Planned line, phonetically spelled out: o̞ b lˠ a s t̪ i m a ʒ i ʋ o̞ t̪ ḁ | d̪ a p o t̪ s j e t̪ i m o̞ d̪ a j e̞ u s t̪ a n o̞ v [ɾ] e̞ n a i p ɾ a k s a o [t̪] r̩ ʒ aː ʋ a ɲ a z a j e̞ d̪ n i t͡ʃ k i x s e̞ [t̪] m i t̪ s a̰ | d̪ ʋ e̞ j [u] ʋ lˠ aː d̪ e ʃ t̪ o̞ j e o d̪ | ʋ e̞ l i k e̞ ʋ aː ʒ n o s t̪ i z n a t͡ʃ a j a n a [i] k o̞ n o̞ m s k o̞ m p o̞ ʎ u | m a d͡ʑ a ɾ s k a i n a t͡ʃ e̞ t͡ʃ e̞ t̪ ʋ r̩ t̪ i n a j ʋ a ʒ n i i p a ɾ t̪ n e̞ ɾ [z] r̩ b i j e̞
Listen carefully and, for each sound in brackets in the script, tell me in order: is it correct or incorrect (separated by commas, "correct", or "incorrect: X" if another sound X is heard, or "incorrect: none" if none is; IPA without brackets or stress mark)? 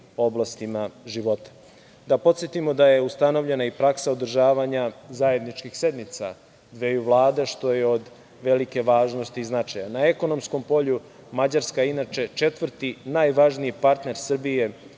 incorrect: ʎ, incorrect: d̪, incorrect: d̪, correct, incorrect: e, incorrect: s